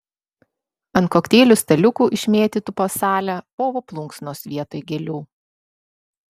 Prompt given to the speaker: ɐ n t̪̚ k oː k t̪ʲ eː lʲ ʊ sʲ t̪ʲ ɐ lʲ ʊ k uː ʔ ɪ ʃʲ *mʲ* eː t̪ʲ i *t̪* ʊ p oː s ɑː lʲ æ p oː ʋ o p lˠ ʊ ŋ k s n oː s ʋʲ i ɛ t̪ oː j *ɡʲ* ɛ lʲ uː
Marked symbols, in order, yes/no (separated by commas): yes, yes, yes